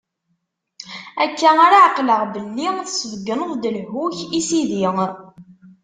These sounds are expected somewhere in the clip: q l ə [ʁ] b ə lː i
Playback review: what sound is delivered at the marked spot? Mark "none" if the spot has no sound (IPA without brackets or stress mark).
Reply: ʁ